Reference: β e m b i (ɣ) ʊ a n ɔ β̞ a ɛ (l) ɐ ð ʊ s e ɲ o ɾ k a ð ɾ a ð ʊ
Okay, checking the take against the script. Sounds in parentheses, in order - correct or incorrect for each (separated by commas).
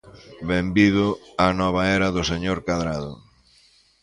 incorrect, incorrect